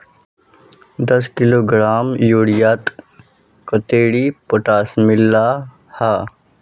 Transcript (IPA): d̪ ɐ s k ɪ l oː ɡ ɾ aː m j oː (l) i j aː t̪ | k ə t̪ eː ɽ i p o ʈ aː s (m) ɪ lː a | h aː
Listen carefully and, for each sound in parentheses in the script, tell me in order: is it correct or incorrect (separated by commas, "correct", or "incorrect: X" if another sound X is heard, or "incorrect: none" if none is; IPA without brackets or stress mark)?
incorrect: ɽ, correct